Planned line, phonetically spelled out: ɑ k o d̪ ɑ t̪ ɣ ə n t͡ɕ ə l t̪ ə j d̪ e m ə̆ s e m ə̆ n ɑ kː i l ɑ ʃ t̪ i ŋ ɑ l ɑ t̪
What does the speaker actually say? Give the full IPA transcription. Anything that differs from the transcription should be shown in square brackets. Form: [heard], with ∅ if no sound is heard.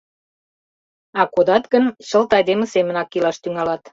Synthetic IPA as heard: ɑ k o d̪ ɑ t̪ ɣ ə n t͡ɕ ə l t̪ [ɑ] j d̪ e m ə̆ s e m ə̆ n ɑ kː i l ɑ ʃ t̪ [y] ŋ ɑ l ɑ t̪